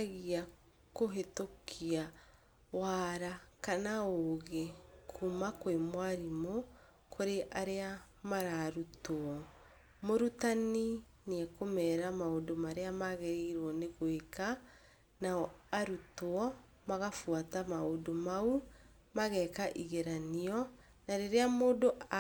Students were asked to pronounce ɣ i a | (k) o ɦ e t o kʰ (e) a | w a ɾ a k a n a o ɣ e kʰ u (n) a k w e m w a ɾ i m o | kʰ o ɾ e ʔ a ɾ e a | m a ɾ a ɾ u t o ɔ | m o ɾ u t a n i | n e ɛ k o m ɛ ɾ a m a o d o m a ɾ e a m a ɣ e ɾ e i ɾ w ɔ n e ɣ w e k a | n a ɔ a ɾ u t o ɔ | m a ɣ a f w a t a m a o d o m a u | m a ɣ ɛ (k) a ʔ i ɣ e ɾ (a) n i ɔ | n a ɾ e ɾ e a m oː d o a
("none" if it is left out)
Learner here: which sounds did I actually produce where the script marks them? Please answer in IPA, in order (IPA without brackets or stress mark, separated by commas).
k, i, m, k, a